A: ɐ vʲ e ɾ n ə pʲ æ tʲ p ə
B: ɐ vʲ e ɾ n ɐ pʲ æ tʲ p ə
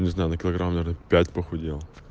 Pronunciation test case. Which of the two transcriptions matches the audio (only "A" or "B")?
A